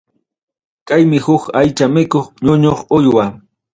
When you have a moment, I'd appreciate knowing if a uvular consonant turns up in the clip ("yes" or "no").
yes